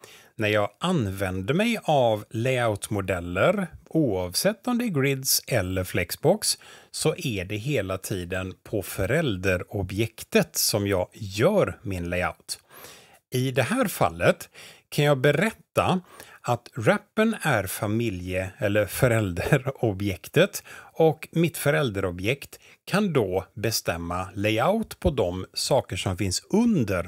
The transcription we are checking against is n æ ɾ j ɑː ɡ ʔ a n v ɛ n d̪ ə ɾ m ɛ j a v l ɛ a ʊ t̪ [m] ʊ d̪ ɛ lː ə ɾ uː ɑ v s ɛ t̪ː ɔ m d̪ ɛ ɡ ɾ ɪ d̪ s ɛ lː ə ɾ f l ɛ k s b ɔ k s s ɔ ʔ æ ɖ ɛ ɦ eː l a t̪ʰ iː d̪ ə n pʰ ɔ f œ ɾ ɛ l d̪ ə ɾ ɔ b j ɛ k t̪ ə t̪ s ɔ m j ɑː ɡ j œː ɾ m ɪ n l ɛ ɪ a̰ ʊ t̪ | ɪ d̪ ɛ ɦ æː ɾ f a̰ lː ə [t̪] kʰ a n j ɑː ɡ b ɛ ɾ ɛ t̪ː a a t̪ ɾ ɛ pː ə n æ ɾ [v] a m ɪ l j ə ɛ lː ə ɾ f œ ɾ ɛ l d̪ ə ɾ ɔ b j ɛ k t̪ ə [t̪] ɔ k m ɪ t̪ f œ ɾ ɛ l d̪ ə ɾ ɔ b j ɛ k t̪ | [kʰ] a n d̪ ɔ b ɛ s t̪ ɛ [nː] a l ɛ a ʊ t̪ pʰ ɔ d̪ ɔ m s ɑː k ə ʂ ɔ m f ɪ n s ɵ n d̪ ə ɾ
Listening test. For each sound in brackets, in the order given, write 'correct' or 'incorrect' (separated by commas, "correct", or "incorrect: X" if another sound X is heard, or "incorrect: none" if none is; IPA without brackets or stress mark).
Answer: correct, correct, incorrect: f, correct, correct, incorrect: mː